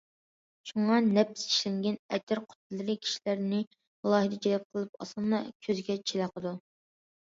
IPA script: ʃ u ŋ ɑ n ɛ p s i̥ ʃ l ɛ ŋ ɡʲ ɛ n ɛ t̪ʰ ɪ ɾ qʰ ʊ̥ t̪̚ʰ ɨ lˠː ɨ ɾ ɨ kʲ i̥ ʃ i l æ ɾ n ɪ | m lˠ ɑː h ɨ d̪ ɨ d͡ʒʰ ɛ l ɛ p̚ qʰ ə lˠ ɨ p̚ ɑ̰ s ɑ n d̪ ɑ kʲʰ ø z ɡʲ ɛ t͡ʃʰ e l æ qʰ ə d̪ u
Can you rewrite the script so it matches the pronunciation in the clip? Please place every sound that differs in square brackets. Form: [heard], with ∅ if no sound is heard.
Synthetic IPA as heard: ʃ u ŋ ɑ n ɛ p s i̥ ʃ l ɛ ŋ ɡʲ ɛ n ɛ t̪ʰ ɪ ɾ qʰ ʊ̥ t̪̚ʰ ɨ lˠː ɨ ɾ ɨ [kʲʰ] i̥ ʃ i l æ ɾ n ɪ | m lˠ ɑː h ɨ d̪ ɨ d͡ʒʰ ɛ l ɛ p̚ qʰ ə lˠ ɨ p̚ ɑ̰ s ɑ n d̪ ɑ kʲʰ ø z ɡʲ ɛ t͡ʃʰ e l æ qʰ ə d̪ u